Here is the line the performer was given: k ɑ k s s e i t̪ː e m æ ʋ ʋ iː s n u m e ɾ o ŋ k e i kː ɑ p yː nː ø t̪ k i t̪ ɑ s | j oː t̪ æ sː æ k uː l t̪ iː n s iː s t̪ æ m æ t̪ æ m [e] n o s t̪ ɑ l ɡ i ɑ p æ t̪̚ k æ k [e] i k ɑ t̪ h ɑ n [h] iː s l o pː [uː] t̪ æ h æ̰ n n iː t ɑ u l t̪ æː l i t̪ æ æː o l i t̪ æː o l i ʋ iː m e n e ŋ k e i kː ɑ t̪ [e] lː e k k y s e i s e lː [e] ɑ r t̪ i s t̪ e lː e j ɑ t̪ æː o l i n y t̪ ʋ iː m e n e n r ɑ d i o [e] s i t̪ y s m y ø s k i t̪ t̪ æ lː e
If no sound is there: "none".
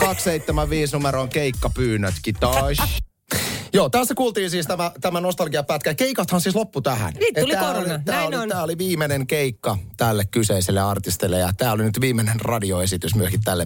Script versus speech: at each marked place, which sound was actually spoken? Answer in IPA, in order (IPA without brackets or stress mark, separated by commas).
æ, e, s, u, æ, e, e